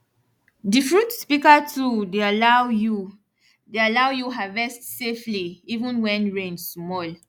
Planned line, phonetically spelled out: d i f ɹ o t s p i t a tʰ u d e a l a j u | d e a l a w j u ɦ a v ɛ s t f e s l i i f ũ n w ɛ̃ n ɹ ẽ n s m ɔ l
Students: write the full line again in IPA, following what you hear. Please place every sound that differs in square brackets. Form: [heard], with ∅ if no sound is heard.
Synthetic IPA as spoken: d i f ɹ [u] t s p i [k] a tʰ u d e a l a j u | d e a l a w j u ɦ a v ɛ s t [s] e [f] l i i [v] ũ n w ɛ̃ n ɹ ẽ n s m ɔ l